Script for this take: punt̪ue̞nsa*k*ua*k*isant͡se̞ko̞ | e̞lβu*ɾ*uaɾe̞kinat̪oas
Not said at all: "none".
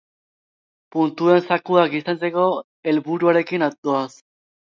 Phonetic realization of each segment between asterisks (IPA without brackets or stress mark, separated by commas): k, k, ɾ